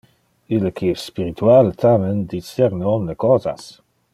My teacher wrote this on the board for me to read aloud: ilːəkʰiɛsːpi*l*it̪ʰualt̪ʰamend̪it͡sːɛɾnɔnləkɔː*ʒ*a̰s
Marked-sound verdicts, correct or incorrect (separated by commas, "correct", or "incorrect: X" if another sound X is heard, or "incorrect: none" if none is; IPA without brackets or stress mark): incorrect: ɾ, incorrect: z